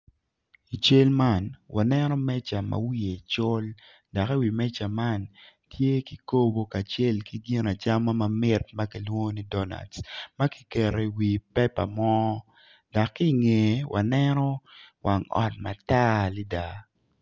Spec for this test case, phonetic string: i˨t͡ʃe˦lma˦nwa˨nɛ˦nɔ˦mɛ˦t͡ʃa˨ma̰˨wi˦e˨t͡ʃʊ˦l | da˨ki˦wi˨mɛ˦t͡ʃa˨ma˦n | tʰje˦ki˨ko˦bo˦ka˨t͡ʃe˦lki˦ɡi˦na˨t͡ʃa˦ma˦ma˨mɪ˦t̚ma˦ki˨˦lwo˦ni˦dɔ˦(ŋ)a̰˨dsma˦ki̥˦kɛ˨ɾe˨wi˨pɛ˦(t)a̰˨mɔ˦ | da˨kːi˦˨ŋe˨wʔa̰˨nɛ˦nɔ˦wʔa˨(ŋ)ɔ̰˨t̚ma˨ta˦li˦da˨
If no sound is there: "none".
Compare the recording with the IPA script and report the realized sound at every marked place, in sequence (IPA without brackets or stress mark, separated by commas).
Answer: n, p, ŋ